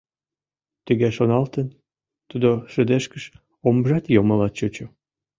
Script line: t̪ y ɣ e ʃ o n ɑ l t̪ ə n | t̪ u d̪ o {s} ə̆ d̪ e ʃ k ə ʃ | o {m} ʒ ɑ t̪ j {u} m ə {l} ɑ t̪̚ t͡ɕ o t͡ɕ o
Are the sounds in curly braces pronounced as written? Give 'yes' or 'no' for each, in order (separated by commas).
no, yes, no, yes